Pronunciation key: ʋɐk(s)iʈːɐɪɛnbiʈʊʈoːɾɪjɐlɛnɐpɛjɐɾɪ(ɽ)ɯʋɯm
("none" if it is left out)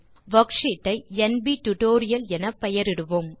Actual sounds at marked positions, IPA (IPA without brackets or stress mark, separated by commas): ʂ, ɽ